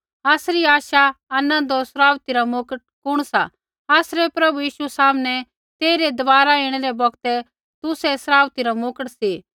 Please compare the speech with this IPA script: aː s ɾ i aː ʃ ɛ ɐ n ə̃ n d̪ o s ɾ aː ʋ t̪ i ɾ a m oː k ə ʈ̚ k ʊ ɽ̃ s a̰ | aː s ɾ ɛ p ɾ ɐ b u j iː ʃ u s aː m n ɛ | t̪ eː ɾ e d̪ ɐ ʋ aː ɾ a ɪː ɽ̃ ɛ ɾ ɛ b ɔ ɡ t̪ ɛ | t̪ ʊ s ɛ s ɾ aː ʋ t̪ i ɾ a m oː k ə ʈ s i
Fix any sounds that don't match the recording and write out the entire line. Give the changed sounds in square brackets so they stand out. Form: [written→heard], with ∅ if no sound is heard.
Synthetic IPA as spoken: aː s ɾ i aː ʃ [ɛ→a] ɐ n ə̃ n d̪ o s ɾ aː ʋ t̪ i ɾ a m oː k ə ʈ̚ k ʊ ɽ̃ s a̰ | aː s ɾ ɛ p ɾ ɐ b u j iː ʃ u s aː m n ɛ | t̪ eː ɾ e d̪ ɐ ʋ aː ɾ a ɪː ɽ̃ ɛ ɾ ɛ b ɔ ɡ t̪ ɛ | t̪ ʊ s ɛ s ɾ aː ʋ t̪ i ɾ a m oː k ə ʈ s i